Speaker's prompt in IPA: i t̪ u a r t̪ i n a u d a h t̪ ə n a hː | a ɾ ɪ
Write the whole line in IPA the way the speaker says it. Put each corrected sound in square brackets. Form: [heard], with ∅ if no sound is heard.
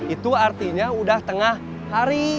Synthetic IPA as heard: i t̪ u a r t̪ i [ɲ] a u d a h t̪ ə [ŋ] a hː | a ɾ [i]